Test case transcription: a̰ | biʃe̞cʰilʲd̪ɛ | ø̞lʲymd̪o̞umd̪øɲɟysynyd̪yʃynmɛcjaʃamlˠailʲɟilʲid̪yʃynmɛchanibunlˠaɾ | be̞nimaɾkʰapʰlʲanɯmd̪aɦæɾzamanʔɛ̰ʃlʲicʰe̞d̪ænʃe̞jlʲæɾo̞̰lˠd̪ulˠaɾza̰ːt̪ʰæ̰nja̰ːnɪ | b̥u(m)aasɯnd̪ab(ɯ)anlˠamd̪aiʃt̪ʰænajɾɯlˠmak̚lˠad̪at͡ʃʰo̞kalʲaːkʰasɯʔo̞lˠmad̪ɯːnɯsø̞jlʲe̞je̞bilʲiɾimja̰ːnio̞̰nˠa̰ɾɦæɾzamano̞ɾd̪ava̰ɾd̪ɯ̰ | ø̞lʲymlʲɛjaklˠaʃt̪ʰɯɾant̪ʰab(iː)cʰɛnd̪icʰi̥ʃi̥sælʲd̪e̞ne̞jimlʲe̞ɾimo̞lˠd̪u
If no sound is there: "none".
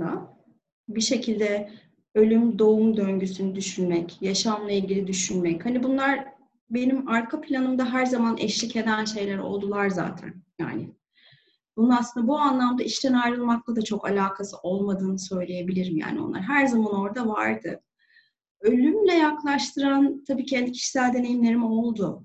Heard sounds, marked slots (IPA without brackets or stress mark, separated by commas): n, u, iː